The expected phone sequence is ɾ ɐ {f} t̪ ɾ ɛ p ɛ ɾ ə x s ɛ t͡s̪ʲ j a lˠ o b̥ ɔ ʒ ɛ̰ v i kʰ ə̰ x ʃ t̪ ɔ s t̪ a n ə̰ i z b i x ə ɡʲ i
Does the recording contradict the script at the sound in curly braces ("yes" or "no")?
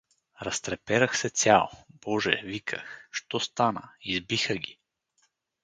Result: yes